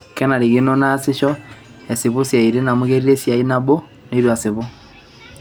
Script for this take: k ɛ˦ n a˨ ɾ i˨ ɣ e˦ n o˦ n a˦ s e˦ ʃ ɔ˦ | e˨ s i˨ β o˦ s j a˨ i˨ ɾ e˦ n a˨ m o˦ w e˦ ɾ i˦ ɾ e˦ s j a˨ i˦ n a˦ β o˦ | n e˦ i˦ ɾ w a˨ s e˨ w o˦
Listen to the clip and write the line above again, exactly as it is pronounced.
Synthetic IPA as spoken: k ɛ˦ n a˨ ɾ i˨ ɣ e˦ n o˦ n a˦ s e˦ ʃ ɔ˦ | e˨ s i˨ β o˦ s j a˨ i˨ ɾ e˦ n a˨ m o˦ ɣ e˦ ɾ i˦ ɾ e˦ s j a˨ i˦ n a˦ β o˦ | n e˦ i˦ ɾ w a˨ s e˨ β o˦